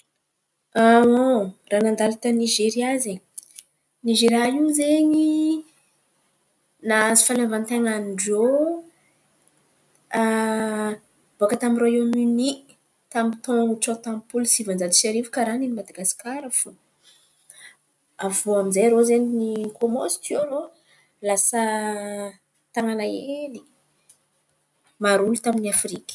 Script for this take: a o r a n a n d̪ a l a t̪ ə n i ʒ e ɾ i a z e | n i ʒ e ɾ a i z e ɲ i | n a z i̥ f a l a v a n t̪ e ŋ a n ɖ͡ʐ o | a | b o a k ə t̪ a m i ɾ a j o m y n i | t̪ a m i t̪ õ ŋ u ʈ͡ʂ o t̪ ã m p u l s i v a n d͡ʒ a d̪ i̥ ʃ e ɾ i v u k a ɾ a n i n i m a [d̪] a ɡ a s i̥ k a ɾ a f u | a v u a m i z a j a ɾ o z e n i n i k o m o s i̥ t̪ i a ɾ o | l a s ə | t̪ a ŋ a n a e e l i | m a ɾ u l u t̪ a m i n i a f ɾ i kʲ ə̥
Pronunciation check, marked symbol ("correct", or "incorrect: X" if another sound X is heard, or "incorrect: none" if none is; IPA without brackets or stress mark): correct